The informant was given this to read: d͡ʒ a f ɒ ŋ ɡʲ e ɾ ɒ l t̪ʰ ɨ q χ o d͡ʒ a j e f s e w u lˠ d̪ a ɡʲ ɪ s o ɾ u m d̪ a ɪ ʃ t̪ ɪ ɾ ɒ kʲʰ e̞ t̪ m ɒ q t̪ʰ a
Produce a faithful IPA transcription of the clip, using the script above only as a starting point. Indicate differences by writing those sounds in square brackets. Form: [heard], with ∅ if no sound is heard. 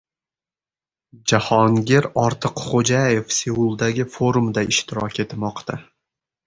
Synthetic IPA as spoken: d͡ʒ a [h] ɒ ŋ ɡʲ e ɾ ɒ [ɾ] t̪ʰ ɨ q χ o d͡ʒ a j e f s e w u lˠ d̪ a ɡʲ ɪ [f] o ɾ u m d̪ a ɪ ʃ t̪ ɪ ɾ ɒ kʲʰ e̞ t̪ m ɒ q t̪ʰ a